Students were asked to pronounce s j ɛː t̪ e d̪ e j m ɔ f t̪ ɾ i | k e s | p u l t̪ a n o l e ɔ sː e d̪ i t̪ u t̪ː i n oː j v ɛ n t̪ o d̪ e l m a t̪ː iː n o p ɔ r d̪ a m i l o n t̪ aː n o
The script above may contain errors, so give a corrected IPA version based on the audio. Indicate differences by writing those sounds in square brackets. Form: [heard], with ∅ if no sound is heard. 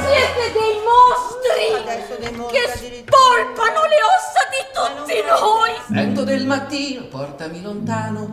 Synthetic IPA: s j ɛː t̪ e d̪ e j m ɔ [s] t̪ ɾ i | k e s | p [ɔ] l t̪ a n o l e ɔ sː [a] d̪ i t̪ u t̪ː i n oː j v ɛ n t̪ o d̪ e l m a t̪ː iː n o p ɔ r [t̪] a m i l o n t̪ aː n o